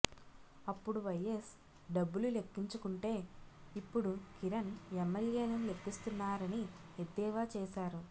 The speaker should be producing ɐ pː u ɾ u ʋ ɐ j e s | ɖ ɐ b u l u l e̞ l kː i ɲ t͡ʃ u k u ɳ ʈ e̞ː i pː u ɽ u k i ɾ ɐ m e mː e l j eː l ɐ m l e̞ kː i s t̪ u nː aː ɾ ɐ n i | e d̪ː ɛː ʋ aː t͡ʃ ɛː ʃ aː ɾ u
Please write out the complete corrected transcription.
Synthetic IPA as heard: ɐ pː u ɽ u ʋ ɐ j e s | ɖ ɐ bː u l u l e̞ kː i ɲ t͡ʃ u k u ɳ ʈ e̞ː i pː u ɽ u k i ɾ ɐ n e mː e l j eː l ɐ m l e̞ kː i s t̪ u nː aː ɾ ɐ n i | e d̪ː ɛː ʋ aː t͡ʃ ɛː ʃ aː ɾ u

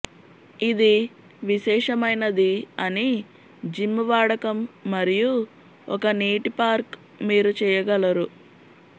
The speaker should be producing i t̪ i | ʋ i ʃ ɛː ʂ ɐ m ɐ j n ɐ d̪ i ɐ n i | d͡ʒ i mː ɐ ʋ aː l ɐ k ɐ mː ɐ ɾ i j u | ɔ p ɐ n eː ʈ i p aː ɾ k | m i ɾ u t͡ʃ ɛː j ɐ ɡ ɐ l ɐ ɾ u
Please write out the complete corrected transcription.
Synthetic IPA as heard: i d̪ i | ʋ i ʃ ɛː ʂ ɐ m ɐ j n ɐ d̪ i ɐ n i | d͡ʒ i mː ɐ ʋ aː ɽ ɐ k ɐ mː ɐ ɾ i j u | ɔ k ɐ n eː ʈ i p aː ɾ k | m iː ɾ u t͡ʃ ɛː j ɐ ɡ ɐ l ɐ ɾ u

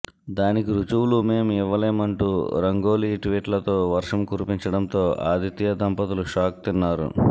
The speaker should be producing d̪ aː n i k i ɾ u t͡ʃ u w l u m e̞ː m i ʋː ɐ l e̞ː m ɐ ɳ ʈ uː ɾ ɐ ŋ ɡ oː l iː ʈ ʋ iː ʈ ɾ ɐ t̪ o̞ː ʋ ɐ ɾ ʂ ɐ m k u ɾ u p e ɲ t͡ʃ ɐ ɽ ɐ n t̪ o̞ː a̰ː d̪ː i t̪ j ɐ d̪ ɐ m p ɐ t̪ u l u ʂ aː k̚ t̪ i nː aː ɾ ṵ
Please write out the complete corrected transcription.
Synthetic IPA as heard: d̪ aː n i k i ɾ u t͡ʃ u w l u m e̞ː m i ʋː ɐ l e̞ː m ɐ ɳ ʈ uː ɾ ɐ ŋ ɡ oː l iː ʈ ʋ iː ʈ l ɐ t̪ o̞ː ʋ ɐ ɾ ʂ ɐ m k u ɾ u p i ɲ t͡ʃ ɐ ɽ ɐ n t̪ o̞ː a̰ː d̪ i t̪ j ɐ d̪ ɐ m p ɐ t̪ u l u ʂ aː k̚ t̪ i nː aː ɾ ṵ

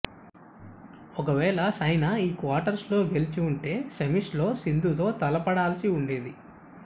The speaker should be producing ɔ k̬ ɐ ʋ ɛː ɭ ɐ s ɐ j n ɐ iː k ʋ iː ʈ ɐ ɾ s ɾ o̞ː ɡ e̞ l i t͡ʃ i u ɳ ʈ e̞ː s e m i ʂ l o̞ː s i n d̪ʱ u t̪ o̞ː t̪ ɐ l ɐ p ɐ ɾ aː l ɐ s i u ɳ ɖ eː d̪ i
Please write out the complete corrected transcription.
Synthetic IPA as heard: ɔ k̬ ɐ ʋ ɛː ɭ ɐ s ɐ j n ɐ iː k ʋ aː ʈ ɐ ɾ s l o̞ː ɡ e̞ l i t͡ʃ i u ɳ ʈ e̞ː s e m i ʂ l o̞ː s i n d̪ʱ u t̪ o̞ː t̪ ɐ l ɐ p ɐ ɽ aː l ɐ s i u ɳ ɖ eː d̪ i

